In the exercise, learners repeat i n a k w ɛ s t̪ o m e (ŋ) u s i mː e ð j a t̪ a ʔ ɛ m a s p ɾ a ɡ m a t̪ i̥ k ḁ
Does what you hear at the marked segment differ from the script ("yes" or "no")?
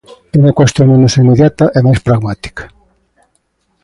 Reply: yes